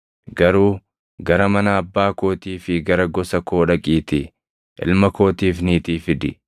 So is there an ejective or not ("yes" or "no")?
yes